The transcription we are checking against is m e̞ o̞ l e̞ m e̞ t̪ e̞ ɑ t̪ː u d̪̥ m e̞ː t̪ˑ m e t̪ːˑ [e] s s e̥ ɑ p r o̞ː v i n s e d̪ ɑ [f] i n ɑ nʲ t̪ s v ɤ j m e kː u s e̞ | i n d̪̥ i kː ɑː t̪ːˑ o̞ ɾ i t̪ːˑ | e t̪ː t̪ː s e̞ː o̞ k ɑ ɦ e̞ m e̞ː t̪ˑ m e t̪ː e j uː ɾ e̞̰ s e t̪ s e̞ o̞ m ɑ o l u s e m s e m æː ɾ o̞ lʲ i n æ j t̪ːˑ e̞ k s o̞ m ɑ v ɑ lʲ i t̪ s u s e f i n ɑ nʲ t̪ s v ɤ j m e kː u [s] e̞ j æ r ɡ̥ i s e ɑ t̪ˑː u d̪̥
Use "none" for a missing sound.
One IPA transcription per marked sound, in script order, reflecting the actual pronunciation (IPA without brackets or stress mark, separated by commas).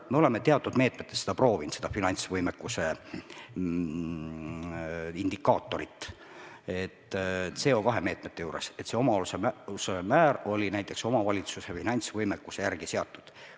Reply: e, f, s